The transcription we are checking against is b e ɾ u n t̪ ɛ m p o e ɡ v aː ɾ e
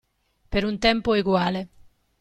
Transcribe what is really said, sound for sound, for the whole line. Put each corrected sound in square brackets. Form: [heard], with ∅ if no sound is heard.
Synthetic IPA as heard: [p] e ɾ u n t̪ ɛ m p o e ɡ [w] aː [l] e